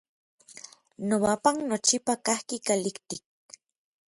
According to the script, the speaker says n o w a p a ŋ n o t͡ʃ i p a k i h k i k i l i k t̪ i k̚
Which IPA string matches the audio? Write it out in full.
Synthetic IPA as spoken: n o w a p a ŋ n o t͡ʃ i p a k a h k i k a l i k t̪ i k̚